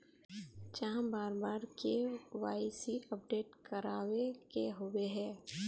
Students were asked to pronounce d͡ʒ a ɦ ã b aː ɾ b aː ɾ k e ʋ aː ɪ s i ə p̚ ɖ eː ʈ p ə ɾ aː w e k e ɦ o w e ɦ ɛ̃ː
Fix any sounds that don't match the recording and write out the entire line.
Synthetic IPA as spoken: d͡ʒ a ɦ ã b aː ɾ b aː ɾ k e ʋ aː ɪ s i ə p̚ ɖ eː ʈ k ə ɾ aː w e k e ɦ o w e ɦ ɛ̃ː